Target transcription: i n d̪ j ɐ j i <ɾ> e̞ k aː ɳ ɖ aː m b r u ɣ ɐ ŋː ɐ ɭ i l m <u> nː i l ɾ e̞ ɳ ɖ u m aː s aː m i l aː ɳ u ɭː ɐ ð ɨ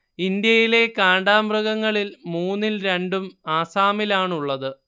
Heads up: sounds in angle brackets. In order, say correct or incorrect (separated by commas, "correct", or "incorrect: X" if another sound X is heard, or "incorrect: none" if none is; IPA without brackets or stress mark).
incorrect: l, incorrect: uː